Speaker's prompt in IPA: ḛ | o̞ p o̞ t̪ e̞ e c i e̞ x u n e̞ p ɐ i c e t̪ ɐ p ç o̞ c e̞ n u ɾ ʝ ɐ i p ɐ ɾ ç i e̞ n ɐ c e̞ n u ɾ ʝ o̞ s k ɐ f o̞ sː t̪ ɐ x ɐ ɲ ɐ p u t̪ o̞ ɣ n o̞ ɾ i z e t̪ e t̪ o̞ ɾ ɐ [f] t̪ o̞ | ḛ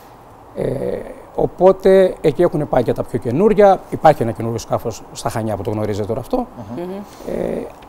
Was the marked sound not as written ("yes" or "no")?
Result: no